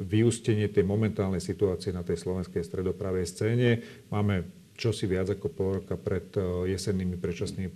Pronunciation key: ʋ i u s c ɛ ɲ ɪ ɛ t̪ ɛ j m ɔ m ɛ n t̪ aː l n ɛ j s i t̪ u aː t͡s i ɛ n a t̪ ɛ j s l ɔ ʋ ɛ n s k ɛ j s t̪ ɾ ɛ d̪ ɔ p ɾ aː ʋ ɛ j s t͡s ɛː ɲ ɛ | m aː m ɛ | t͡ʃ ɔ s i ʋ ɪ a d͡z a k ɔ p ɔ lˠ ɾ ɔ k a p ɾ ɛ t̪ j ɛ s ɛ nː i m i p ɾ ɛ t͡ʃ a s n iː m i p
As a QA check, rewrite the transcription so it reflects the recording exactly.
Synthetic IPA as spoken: ʋ i u s c ɛ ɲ ɪ ɛ t̪ ɛ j m ɔ m ɛ n t̪ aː l n ɛ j s i t̪ u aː t͡s i ɛ n a t̪ ɛ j s l ɔ ʋ ɛ n s k ɛ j s t̪ ɾ ɛ d̪ ɔ p ɾ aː ʋ ɛ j s t͡s ɛː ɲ ɛ | m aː m ɛ | t͡ʃ ɔ s i ʋ ɪ a d͡z a k ɔ p ɔ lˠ ɾ ɔ k a p ɾ ɛ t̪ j ɛ s ɛ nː i m i p ɾ ɛ t͡ʃ a s n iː m i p